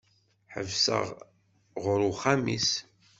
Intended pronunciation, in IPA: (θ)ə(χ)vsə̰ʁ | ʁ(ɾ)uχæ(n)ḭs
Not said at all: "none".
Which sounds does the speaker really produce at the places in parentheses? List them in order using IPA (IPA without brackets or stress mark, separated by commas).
ħ, none, ɾ, m